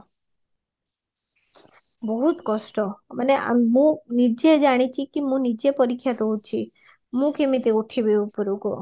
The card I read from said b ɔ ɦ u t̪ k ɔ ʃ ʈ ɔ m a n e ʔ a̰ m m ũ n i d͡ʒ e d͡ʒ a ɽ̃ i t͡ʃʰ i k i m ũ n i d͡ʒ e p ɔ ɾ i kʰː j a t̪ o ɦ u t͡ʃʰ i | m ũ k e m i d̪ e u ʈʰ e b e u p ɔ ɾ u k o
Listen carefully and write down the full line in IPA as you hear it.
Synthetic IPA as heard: b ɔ ɦ u t̪ k ɔ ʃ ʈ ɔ m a n e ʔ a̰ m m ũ n i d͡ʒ e d͡ʒ a ɽ̃ i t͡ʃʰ i k i m ũ n i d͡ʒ e p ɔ ɾ i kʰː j a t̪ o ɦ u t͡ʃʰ i | m ũ k e m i t̪ e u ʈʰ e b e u p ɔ ɾ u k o

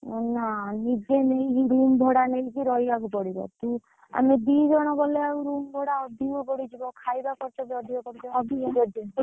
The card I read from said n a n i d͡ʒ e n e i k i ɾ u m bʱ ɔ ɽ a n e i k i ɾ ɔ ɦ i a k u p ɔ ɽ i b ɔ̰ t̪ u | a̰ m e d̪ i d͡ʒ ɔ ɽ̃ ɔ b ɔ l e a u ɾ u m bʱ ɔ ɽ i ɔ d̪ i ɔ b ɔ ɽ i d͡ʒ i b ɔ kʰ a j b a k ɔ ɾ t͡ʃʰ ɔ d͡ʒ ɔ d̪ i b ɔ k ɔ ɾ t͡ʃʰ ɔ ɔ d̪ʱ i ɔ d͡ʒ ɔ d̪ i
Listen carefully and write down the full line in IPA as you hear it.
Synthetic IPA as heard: n a n i d͡ʒ e n e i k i ɾ u m bʱ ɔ ɽ a n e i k i ɾ ɔ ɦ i a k u p ɔ ɽ i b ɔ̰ t̪ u | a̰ m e d̪ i d͡ʒ ɔ ɽ̃ ɔ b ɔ l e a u ɾ u m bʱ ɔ ɽ a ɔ d̪ i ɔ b ɔ ɽ i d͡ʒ i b ɔ kʰ a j b a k ɔ ɾ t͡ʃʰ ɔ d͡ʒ ɔ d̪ i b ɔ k ɔ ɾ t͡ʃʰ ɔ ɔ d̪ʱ i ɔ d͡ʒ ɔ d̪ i

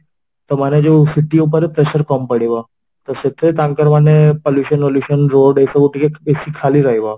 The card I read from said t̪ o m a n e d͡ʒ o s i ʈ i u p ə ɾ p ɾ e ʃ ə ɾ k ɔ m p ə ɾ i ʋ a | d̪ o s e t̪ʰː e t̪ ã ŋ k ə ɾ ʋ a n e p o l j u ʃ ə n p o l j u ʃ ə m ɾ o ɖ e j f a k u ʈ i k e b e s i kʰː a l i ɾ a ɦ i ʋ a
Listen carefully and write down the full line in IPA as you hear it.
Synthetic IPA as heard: t̪ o m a n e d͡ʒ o s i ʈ i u p ə ɾ p ɾ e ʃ ə ɾ k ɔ m p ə ɽ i ʋ a | t̪ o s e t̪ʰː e t̪ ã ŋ k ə ɾ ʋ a n e p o l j u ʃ ə n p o l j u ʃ ə n ɾ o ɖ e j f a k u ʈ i k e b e s i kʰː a l i ɾ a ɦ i ʋ a

